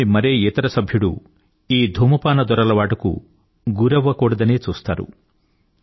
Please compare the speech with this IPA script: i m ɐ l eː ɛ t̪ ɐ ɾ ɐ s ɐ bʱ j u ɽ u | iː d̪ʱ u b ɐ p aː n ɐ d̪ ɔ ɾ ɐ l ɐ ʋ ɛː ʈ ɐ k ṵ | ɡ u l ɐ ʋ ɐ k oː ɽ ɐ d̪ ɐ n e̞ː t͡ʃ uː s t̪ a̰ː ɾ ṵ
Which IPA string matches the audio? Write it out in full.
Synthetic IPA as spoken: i m ɐ ɾ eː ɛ t̪ ɐ ɾ ɐ s ɐ bʱ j u ɽ u | iː d̪ʱ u m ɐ p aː n ɐ d̪ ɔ ɾ ɐ l ɐ ʋ aː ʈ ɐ k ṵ | ɡ u ɾ ɐ ʋ ɐ k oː ɽ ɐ d̪ ɐ n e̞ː t͡ʃ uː s t̪ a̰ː ɾ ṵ